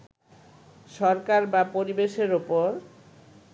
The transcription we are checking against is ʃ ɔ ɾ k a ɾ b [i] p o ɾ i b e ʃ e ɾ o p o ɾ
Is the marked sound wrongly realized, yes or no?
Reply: yes